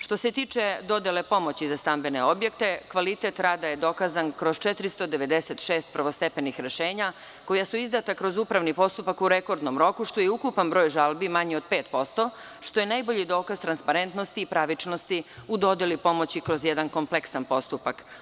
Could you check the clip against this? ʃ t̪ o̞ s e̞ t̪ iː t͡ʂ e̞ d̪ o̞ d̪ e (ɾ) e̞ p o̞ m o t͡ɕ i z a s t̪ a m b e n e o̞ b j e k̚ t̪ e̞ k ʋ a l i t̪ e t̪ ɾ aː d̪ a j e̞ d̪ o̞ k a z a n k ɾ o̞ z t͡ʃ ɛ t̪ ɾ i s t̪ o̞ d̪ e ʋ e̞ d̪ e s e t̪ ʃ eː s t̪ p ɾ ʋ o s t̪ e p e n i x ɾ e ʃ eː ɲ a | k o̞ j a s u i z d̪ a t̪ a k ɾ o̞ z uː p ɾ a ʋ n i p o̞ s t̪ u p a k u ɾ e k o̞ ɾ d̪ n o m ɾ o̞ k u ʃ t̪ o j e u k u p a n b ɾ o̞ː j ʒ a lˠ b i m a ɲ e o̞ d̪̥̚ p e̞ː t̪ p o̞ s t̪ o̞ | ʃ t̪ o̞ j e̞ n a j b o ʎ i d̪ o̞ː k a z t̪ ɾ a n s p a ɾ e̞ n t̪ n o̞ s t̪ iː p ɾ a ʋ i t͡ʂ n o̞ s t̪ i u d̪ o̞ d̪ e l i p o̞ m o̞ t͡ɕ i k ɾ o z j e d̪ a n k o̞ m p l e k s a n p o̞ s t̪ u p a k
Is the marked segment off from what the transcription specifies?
yes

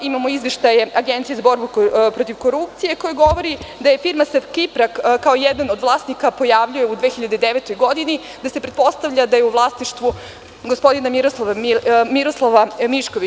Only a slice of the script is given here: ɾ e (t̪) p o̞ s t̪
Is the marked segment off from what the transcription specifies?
no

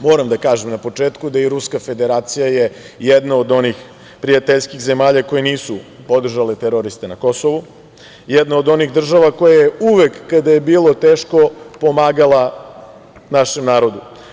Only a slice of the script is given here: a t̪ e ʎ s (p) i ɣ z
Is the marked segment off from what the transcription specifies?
yes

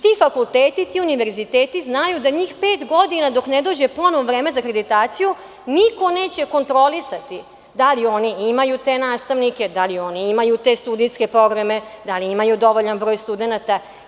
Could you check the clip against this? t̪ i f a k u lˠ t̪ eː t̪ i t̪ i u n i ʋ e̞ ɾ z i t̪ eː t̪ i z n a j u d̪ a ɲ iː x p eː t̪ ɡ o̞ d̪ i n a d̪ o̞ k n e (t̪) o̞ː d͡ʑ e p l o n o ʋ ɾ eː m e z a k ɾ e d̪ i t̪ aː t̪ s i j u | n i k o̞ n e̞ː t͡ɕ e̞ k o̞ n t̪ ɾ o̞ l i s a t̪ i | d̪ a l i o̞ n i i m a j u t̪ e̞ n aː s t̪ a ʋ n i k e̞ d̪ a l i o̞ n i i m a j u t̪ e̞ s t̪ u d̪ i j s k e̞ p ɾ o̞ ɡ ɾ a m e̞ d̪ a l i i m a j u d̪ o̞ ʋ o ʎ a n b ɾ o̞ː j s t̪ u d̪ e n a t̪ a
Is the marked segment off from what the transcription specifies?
yes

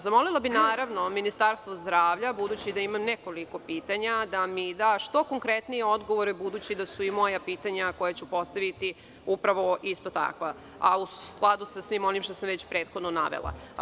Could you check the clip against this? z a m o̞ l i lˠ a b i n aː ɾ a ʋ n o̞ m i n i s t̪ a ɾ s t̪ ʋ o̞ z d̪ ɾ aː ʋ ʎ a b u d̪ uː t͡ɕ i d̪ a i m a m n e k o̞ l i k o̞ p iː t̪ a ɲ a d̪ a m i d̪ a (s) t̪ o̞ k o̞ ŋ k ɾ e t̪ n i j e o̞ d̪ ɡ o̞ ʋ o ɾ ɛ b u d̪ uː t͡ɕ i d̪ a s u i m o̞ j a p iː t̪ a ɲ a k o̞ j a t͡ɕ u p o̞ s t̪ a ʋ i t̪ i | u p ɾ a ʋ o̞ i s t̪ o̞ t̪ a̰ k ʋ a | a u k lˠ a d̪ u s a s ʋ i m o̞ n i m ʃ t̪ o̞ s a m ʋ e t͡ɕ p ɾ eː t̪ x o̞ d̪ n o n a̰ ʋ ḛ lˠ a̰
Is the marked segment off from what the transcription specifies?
yes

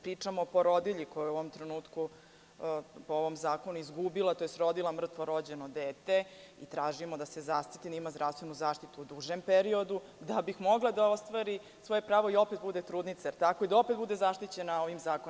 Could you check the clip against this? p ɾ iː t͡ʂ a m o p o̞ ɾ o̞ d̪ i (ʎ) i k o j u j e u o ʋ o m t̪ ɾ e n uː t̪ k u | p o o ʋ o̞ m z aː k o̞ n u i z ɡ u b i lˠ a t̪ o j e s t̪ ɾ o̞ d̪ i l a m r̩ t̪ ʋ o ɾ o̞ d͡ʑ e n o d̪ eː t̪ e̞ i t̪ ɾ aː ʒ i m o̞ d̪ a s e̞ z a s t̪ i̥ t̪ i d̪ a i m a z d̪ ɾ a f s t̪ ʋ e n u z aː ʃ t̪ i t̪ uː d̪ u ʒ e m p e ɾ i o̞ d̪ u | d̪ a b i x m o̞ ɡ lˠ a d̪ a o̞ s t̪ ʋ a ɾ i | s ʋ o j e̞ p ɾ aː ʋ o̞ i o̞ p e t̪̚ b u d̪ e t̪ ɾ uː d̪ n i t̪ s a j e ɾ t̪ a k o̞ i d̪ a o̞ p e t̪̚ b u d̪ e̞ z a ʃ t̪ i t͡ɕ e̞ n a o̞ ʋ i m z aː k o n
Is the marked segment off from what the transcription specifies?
no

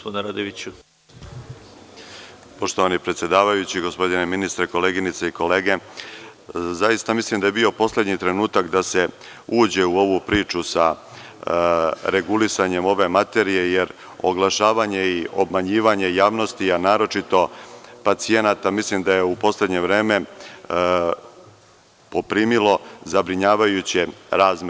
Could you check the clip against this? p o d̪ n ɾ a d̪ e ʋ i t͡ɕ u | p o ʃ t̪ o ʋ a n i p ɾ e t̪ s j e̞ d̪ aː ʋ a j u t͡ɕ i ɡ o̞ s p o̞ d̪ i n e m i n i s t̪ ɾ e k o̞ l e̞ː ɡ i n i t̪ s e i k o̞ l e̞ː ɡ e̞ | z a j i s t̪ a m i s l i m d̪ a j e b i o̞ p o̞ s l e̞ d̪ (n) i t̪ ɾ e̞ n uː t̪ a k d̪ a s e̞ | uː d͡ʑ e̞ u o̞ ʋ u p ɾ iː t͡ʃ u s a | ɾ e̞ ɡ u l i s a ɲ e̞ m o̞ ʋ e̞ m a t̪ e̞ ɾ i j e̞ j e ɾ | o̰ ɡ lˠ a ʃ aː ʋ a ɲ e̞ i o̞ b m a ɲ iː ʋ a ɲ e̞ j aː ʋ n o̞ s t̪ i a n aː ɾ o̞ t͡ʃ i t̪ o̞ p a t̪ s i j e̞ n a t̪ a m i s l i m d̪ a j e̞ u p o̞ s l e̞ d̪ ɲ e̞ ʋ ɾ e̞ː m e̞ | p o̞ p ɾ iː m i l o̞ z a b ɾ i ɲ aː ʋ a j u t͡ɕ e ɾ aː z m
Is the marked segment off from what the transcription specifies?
yes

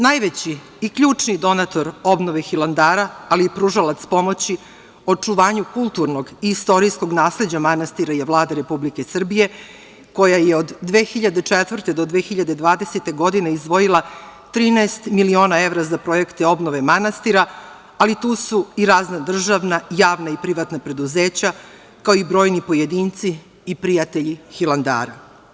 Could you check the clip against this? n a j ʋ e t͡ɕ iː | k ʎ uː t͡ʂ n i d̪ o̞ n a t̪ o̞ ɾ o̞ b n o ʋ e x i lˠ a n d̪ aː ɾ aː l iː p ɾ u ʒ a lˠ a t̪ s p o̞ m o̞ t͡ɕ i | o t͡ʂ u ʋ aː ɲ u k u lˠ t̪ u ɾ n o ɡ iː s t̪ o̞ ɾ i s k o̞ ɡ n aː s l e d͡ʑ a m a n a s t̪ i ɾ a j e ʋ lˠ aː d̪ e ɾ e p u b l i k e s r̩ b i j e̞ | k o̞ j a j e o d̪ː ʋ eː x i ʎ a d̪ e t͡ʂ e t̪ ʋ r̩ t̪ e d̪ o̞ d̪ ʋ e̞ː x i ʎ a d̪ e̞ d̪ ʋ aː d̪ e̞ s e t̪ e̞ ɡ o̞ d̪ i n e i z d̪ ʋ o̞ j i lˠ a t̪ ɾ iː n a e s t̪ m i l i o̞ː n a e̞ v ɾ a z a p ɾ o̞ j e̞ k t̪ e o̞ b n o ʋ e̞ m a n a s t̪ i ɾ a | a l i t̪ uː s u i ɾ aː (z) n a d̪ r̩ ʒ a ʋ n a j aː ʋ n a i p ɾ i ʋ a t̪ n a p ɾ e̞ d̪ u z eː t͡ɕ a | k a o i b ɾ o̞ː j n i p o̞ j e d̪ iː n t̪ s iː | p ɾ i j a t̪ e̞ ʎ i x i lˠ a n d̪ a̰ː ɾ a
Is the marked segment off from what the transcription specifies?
no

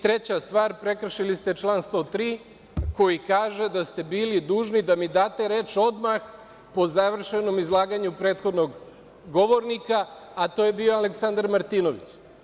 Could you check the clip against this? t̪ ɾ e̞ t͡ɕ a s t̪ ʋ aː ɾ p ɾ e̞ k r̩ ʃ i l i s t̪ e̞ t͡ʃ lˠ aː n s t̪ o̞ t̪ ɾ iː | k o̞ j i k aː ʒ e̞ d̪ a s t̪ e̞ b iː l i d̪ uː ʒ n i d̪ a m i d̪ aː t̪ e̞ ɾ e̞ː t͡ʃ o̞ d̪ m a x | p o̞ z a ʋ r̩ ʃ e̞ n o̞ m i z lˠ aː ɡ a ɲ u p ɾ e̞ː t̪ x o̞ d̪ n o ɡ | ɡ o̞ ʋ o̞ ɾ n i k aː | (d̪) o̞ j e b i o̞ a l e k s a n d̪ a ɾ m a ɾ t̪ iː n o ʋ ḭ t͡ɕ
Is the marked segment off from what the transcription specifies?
yes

